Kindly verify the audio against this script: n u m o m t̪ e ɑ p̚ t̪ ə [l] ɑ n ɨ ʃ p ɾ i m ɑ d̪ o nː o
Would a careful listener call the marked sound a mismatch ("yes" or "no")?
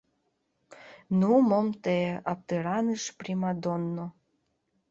yes